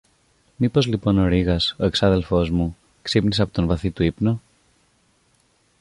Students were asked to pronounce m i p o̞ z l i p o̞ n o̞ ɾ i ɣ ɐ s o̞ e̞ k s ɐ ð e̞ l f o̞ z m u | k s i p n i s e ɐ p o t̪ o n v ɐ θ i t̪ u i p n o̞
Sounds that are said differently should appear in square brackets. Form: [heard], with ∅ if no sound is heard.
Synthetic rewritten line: m i p o̞ z l i p o̞ n o̞ ɾ i ɣ ɐ s o̞ e̞ k s ɐ ð e̞ l f o̞ z m u | k s i p n i s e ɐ p o t̪ o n v ɐ θ i t̪ u i p n o̞